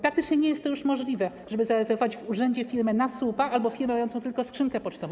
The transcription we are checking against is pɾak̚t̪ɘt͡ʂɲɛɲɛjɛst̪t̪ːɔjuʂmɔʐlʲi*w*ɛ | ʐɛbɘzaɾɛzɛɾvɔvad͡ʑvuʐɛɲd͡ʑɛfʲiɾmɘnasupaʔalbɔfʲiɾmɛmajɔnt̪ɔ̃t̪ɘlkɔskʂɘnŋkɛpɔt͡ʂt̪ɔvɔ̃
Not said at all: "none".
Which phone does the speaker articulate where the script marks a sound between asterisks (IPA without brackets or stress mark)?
v